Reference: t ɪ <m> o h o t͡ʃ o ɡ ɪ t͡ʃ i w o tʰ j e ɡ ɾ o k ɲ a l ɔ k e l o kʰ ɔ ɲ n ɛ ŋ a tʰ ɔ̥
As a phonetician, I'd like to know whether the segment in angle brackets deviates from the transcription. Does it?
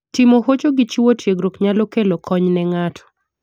no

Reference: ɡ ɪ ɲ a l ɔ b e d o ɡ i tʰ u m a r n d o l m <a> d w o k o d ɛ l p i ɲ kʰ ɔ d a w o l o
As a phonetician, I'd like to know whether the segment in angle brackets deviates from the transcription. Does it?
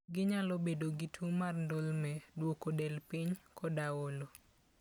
yes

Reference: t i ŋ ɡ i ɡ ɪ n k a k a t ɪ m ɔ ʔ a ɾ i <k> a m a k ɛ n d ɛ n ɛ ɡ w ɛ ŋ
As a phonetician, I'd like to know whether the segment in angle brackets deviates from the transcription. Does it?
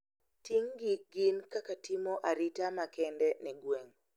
yes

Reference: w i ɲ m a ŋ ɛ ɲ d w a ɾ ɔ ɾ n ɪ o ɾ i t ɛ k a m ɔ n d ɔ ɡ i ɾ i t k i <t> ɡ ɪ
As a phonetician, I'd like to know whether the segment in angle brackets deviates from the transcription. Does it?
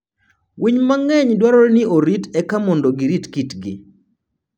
no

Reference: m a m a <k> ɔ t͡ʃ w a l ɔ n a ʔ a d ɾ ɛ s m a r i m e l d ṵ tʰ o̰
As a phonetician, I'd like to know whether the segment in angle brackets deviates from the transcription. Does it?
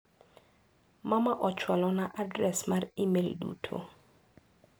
yes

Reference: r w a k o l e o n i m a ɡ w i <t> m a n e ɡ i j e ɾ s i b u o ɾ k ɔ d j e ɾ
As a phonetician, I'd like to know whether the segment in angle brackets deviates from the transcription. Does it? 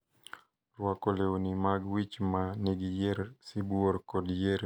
yes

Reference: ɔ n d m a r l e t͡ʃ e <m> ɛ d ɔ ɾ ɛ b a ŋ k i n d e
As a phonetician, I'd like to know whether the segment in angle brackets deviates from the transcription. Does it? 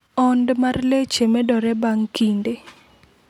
no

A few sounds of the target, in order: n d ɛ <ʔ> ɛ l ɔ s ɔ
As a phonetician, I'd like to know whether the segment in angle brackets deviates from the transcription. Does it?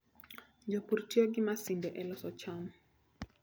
no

